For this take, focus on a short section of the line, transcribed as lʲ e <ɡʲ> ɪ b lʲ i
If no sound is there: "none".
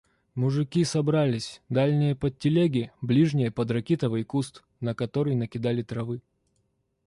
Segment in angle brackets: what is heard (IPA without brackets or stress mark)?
ɡʲ